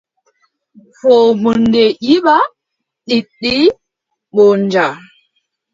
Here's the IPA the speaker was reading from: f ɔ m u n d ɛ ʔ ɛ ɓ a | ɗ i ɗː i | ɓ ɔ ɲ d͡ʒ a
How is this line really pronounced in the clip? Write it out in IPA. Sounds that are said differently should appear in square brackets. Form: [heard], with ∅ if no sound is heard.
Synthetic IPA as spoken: f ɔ m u n d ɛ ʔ [i] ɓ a | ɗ i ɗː i | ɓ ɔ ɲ d͡ʒ a